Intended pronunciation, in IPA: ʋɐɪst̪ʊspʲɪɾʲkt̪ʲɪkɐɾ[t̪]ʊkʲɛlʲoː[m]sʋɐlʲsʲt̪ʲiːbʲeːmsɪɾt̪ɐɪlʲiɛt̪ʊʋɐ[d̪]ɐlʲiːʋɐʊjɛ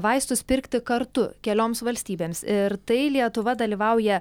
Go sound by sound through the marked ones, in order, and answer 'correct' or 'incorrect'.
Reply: correct, correct, correct

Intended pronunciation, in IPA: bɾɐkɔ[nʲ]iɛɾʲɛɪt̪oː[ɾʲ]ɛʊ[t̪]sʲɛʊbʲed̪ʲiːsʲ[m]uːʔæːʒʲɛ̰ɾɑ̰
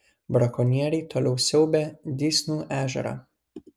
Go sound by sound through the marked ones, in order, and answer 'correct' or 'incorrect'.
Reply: correct, incorrect: lʲ, incorrect: none, incorrect: n

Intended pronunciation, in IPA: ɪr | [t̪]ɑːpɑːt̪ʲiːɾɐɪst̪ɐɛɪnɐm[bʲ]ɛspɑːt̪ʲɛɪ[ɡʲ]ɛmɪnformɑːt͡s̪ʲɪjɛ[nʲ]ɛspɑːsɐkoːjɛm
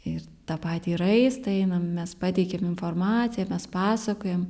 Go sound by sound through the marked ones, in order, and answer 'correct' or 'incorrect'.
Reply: correct, incorrect: mʲ, incorrect: kʲ, incorrect: mʲ

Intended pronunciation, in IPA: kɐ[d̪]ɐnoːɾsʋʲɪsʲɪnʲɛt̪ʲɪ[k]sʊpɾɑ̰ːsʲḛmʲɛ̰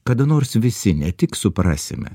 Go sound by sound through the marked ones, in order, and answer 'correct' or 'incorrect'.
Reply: correct, correct

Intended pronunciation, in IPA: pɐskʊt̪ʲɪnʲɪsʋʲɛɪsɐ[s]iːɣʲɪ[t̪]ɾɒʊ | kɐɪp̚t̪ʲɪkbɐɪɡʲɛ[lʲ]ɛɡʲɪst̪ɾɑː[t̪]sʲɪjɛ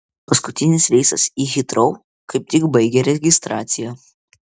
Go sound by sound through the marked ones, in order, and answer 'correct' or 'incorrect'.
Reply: correct, correct, incorrect: ɾʲ, correct

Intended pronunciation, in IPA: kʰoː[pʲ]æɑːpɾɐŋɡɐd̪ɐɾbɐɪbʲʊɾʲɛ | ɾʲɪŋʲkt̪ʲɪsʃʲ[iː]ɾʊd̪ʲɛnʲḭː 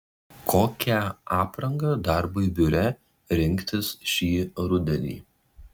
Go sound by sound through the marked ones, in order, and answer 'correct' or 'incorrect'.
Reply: incorrect: kʲ, correct

